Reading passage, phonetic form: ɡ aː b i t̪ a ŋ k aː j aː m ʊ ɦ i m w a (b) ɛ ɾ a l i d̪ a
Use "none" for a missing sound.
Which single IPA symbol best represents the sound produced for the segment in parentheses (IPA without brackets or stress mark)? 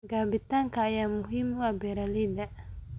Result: b